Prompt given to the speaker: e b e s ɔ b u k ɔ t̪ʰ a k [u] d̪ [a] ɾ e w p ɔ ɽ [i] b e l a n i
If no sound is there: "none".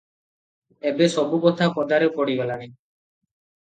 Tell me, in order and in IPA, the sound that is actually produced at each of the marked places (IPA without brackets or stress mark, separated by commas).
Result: ɔ, a, i